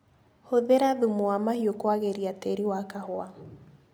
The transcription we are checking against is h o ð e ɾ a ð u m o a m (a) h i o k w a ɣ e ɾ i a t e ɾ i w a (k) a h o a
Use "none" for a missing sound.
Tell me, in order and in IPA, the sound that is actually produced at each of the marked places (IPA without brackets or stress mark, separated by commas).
a, k